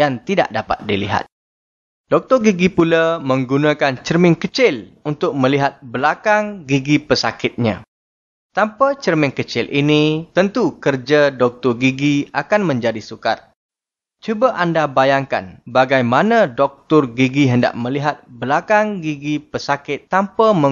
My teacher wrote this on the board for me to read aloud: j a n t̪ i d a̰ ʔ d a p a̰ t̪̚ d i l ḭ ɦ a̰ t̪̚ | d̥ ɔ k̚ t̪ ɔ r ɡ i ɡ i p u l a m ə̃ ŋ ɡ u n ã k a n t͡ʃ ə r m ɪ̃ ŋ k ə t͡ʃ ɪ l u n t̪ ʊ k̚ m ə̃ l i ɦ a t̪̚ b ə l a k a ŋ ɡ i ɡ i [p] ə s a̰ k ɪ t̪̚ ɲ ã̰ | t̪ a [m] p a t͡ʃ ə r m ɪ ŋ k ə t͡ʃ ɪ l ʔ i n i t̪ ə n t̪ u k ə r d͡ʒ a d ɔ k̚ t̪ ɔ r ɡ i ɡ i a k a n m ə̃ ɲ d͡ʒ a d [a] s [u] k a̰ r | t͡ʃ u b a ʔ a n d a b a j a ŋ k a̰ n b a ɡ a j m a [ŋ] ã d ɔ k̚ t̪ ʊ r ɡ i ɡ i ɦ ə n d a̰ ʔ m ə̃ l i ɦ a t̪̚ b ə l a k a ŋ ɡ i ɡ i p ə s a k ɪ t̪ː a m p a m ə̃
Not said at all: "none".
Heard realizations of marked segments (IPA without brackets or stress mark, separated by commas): p, m, i, u, n